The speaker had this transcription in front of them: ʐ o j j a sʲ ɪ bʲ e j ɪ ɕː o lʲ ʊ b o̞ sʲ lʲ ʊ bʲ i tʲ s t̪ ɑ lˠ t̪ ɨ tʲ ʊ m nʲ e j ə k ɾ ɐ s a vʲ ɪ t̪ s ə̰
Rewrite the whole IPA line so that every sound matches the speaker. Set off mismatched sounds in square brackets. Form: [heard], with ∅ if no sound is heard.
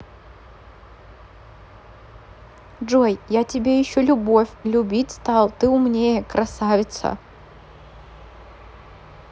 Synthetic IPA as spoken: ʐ o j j a [tʲ] ɪ bʲ e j ɪ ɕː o lʲ ʊ b o̞ [fʲ] lʲ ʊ bʲ i tʲ s t̪ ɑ lˠ t̪ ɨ [∅] ʊ m nʲ e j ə k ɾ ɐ s a vʲ ɪ t̪ s ə̰